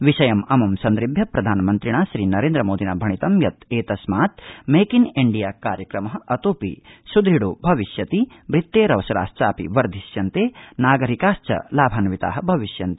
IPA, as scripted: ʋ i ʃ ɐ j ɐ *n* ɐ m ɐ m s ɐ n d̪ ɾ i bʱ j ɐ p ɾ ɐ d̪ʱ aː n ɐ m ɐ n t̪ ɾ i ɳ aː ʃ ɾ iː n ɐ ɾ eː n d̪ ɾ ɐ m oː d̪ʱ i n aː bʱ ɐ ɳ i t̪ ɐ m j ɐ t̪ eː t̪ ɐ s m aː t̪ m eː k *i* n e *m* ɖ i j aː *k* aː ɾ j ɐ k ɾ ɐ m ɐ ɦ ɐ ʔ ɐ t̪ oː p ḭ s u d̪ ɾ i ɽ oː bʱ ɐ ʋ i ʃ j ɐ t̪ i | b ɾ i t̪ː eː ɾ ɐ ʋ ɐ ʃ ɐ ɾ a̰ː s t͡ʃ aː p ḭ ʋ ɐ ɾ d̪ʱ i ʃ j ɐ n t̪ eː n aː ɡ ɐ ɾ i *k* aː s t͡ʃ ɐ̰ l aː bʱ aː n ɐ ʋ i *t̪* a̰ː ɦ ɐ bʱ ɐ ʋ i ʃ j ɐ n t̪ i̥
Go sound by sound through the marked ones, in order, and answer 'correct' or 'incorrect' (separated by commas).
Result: incorrect, correct, incorrect, correct, correct, correct